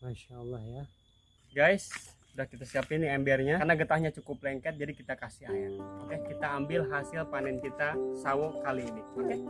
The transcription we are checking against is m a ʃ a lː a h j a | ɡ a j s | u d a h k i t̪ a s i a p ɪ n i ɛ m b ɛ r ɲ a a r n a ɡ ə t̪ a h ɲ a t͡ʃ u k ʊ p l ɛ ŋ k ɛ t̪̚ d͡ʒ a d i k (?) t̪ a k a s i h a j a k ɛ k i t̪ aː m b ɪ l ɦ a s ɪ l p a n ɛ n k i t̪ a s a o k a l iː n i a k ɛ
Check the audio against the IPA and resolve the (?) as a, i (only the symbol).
i